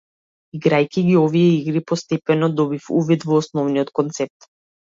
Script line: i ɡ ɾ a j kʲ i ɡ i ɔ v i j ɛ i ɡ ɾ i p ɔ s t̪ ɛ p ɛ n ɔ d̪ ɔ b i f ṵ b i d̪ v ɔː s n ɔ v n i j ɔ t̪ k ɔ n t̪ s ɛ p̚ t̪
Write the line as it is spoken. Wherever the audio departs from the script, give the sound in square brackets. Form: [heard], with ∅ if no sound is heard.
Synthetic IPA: i ɡ ɾ a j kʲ i ɡ i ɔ v i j ɛ i ɡ ɾ i p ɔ s t̪ ɛ p ɛ n ɔ d̪ ɔ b i f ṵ [v] i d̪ v ɔː s n ɔ v n i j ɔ t̪ k ɔ n t̪ s ɛ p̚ t̪